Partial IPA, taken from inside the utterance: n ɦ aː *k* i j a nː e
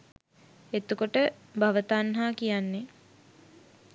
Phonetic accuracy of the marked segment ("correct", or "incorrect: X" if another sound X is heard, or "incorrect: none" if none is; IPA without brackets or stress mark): correct